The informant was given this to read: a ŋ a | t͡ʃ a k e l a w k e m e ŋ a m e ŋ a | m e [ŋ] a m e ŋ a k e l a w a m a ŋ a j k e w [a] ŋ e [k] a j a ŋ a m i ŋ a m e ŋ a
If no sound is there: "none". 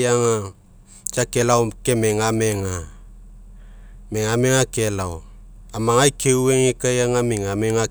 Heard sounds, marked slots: ŋ, e, k

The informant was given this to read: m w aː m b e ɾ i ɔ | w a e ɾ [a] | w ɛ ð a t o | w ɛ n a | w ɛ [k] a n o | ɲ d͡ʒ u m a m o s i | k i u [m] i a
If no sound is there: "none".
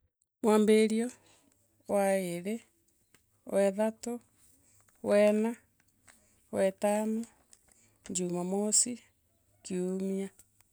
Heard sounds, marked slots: e, t, m

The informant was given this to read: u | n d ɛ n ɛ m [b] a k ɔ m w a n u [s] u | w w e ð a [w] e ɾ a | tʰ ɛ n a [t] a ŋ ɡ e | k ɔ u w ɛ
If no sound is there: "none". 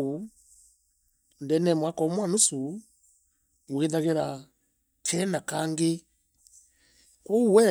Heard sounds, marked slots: w, s, ɣ, k

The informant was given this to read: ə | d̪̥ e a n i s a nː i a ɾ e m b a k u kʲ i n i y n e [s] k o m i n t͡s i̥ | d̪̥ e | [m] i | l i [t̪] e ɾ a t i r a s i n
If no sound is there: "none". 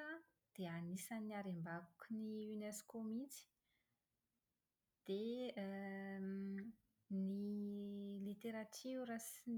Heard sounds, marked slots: s, n, t̪

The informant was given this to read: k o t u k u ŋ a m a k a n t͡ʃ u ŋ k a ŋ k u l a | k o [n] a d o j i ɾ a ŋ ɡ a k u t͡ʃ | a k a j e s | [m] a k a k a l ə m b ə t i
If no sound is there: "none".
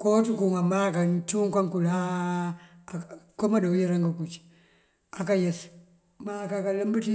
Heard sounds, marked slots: m, m

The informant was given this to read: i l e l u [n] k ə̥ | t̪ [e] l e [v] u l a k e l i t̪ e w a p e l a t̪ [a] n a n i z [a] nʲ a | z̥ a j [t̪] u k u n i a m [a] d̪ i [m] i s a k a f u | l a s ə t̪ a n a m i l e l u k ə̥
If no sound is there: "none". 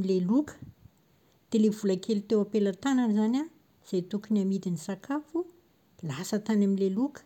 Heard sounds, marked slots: none, e, v, a, a, t̪, i, n

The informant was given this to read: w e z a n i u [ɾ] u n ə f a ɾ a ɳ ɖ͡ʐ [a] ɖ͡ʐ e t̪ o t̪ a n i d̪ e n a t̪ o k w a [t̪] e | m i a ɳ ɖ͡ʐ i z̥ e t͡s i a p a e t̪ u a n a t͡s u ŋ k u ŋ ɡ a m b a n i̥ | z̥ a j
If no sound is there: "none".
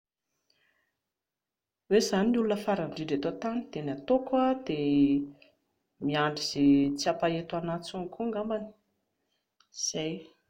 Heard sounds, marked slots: l, i, d̪

